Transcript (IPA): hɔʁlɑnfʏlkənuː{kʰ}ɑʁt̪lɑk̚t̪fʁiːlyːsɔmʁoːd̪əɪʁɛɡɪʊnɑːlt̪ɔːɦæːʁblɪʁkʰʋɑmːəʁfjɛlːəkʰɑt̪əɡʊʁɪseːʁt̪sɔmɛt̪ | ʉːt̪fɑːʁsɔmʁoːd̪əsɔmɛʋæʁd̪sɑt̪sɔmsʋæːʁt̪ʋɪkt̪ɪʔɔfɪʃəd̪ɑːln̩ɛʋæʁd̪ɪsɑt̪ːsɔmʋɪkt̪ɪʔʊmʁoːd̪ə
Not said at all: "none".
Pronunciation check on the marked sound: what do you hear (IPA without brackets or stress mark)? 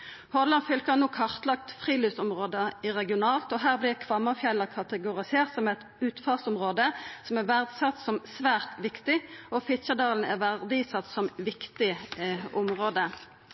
kʰ